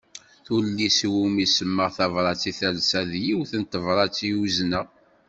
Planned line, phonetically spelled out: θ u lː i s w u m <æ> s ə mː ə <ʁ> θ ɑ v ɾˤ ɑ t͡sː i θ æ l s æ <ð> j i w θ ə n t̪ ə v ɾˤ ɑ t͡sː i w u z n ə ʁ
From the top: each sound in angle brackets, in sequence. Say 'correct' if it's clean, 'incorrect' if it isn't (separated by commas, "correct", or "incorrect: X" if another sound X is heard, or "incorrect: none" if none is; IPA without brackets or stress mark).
incorrect: i, correct, correct